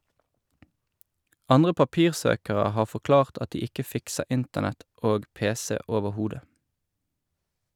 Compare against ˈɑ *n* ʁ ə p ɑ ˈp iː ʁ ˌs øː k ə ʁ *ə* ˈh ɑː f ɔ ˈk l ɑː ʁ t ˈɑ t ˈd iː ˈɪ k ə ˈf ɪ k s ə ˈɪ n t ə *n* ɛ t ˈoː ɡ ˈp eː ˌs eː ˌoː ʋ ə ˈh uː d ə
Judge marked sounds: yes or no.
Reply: yes, yes, yes

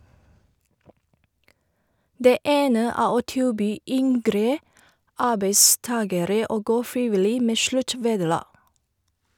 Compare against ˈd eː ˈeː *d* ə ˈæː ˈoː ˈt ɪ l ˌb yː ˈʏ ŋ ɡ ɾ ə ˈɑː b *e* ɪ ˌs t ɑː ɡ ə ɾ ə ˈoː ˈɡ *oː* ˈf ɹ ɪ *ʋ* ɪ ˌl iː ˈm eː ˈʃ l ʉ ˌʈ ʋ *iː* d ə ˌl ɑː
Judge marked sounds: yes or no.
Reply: no, yes, yes, yes, no

